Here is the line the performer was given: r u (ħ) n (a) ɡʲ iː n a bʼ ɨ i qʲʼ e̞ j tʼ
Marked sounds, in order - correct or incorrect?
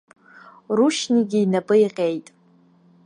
incorrect: ʃ, incorrect: i

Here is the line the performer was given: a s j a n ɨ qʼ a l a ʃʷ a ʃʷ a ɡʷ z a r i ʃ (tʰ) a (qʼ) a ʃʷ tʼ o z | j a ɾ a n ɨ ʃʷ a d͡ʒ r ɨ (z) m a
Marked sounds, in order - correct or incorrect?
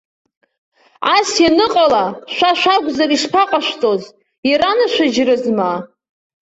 incorrect: pʰ, correct, correct

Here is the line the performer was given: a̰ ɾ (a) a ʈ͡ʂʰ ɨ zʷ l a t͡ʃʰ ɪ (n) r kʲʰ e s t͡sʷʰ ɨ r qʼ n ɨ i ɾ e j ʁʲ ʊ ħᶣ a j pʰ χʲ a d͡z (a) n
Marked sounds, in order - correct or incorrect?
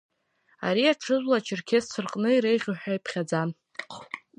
incorrect: i, incorrect: none, correct

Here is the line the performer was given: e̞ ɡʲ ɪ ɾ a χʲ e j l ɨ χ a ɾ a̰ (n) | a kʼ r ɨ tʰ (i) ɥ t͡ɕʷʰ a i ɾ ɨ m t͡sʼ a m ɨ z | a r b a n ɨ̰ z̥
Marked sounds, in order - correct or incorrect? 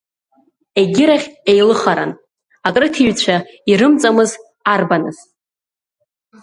correct, correct

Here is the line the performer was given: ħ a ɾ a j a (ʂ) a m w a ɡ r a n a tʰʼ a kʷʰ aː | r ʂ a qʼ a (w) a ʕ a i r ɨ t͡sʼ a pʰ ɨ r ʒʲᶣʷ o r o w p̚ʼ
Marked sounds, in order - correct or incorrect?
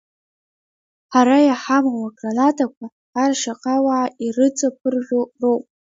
incorrect: ħ, correct

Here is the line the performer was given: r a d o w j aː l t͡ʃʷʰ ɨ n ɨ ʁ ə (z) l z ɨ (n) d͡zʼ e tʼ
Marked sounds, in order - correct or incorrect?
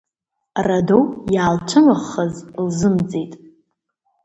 correct, incorrect: m

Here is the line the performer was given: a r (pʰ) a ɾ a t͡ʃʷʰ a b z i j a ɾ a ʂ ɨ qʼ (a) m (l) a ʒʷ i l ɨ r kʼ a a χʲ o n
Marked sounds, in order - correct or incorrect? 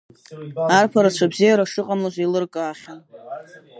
correct, correct, correct

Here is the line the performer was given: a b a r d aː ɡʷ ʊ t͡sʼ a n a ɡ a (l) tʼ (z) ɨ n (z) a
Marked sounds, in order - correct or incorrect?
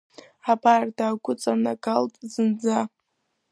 correct, correct, incorrect: d͡z

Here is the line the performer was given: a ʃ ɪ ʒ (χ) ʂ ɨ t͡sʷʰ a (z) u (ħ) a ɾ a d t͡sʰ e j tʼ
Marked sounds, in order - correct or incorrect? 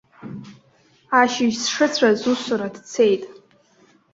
incorrect: s, correct, incorrect: s

